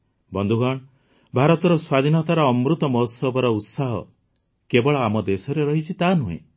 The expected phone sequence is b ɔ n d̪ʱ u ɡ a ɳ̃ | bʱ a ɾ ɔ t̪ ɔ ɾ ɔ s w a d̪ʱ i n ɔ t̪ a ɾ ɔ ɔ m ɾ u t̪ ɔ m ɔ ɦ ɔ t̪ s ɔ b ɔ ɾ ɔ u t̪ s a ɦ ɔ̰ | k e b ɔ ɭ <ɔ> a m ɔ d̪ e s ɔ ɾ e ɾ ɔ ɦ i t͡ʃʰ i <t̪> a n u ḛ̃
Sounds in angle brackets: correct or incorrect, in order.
correct, correct

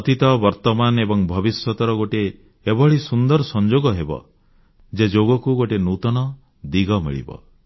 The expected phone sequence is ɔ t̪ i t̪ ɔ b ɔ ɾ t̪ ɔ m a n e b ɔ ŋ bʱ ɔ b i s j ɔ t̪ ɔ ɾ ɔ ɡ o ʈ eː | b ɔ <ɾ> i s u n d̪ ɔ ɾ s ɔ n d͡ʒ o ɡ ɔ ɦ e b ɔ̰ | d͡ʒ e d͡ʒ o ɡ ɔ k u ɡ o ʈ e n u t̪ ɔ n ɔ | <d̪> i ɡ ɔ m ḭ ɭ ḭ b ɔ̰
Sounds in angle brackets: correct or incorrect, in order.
incorrect: ɭ, correct

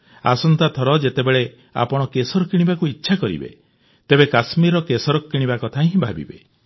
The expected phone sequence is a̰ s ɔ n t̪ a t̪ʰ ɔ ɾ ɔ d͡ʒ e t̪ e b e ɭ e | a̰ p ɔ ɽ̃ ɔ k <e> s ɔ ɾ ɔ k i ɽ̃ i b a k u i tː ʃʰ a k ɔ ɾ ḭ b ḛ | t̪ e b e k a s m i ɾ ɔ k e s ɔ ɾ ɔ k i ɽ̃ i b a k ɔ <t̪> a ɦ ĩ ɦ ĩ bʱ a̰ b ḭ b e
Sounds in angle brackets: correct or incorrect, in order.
correct, incorrect: t̪ʰ

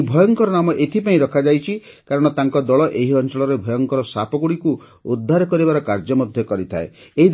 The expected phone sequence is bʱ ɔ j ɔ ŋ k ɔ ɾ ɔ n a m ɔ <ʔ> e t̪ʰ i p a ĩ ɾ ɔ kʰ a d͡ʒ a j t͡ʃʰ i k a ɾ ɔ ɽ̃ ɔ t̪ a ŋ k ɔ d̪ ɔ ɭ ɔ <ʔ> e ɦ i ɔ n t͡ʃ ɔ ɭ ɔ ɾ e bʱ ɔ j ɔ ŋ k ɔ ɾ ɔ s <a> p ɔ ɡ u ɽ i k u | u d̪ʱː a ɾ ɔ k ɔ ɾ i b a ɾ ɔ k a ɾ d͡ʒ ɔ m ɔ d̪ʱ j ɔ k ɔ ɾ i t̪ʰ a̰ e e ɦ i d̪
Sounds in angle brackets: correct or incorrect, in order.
correct, correct, correct

